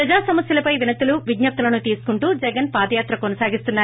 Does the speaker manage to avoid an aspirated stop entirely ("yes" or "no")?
yes